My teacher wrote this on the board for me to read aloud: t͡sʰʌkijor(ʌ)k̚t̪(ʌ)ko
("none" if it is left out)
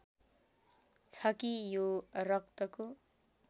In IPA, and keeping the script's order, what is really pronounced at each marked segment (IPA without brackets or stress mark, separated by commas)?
ʌ, ʌ